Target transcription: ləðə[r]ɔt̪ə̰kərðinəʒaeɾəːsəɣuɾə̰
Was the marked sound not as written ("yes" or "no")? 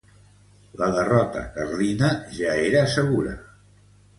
no